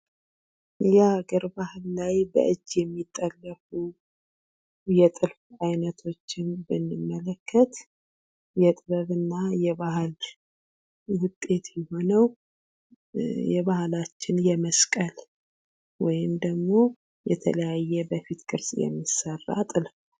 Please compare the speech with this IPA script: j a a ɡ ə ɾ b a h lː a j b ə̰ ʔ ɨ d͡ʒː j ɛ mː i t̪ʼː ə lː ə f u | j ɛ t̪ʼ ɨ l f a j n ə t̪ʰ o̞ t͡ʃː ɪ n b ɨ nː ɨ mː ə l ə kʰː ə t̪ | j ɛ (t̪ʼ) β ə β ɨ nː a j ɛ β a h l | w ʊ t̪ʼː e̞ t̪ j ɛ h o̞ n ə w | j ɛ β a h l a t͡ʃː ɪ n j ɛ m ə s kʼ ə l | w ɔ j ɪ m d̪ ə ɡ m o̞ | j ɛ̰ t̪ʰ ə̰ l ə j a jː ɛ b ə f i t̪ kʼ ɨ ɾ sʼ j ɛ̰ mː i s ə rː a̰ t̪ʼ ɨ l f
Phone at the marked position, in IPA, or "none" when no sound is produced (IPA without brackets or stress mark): t̪ʼ